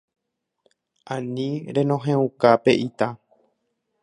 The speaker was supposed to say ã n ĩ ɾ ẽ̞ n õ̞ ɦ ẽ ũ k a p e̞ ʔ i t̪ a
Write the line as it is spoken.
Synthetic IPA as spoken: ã n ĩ ɾ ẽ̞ n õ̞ ɦ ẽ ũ k a p e̞ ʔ i t̪ a